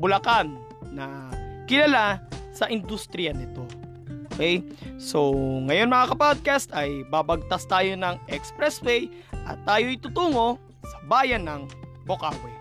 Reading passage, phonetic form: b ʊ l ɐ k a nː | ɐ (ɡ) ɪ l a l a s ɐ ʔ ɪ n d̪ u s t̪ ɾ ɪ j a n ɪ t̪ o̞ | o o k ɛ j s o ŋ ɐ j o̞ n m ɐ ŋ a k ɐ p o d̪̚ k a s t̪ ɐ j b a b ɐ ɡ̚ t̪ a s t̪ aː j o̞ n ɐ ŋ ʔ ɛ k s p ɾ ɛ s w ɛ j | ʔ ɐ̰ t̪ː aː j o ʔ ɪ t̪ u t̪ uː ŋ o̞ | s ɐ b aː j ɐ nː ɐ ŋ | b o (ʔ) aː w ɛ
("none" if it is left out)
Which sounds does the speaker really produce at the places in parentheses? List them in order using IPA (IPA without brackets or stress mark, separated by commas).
k, k